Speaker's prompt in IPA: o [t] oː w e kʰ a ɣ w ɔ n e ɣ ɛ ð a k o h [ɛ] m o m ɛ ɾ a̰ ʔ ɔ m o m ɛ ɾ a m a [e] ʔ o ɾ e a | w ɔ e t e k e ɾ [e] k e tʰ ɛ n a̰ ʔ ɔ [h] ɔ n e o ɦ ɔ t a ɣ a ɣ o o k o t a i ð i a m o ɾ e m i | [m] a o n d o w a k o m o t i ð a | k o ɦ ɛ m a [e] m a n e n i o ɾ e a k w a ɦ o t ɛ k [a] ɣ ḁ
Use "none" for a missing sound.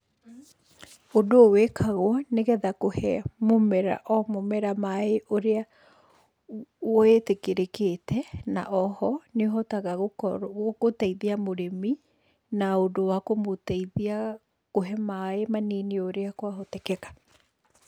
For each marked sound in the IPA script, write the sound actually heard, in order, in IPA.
d, ɛ, e, e, h, n, e, ɛ

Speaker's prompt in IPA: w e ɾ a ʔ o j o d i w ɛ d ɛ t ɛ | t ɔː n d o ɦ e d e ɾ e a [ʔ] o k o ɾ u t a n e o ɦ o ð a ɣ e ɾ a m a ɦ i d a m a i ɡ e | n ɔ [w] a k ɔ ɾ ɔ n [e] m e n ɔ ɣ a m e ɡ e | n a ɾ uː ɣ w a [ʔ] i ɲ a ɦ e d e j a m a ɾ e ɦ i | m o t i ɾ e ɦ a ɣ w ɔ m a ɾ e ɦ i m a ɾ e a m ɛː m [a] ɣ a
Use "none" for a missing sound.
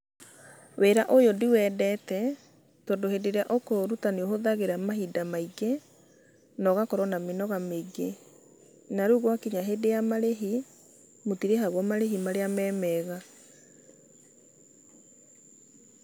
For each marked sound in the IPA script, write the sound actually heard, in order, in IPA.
ʔ, ɣ, a, k, ɛ

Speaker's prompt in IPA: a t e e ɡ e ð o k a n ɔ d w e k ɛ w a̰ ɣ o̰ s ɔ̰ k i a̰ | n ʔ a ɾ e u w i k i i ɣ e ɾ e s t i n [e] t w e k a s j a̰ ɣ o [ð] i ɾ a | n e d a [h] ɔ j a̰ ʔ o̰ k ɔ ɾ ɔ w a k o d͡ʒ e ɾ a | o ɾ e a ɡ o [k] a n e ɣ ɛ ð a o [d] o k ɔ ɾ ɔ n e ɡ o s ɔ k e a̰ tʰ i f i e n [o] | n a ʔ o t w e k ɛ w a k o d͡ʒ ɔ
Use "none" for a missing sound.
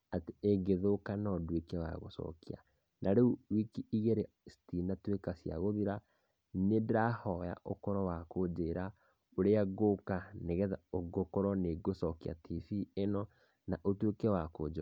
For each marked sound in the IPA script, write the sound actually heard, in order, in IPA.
a, ð, h, k, ɡ, ɔ

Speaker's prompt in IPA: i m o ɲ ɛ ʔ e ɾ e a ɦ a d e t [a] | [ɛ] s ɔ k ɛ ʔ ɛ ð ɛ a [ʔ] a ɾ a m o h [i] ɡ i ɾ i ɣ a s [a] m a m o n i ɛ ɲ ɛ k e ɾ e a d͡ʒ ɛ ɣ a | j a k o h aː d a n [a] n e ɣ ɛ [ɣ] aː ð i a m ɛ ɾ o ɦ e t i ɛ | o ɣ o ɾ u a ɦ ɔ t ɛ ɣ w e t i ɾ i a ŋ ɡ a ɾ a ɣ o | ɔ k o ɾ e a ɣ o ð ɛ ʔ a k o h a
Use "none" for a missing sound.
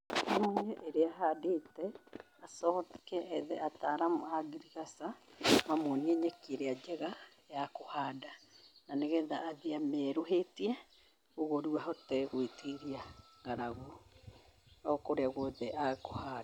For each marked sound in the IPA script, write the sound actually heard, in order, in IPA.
ɛ, a, t, a, a, a, ð

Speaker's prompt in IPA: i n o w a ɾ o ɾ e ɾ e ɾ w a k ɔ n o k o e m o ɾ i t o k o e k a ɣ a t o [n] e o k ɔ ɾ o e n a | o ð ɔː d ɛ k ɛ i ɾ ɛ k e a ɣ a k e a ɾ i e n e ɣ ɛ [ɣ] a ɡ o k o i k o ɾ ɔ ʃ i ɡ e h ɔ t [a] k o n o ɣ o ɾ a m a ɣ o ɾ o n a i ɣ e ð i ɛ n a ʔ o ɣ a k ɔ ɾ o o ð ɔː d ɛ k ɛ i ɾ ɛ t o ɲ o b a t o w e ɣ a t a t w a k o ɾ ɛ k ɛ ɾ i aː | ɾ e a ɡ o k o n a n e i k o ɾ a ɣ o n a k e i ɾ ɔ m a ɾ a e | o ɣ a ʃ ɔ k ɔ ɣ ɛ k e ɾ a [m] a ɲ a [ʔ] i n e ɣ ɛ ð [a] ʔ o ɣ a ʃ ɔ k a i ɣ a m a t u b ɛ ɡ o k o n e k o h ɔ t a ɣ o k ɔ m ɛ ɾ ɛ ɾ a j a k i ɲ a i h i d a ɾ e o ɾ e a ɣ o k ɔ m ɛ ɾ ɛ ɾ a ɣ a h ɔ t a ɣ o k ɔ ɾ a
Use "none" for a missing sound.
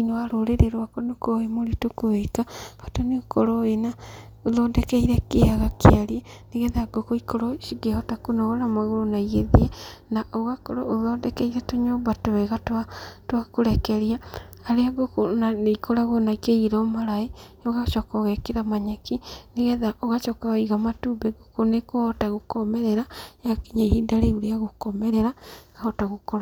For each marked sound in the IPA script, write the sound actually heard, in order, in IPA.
n, ð, a, m, k, a

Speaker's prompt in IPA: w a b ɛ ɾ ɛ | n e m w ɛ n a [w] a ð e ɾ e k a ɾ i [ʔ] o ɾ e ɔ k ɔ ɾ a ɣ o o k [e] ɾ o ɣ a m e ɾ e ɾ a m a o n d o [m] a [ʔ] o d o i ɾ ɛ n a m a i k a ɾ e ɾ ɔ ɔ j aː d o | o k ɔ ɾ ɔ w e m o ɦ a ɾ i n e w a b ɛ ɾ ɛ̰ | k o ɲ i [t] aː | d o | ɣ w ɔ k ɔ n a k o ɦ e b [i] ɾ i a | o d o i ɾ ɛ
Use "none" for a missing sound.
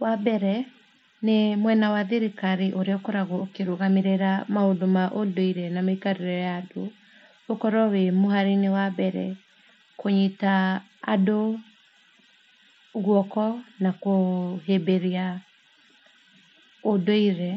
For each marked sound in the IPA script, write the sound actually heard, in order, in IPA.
w, ʔ, e, m, ʔ, t, e

